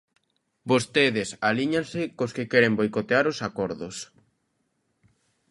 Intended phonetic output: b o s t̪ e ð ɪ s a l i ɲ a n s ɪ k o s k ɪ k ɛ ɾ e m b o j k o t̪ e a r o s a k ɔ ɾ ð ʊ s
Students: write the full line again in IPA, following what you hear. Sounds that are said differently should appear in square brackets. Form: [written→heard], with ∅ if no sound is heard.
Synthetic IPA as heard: b o s t̪ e ð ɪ s a l i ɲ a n s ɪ k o s k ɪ k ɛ ɾ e m b o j k o t̪ e a [r→ɾ] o s a k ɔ ɾ ð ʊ s